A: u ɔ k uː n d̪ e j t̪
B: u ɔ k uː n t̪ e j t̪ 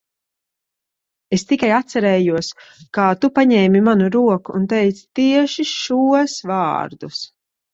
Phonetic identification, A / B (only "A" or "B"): B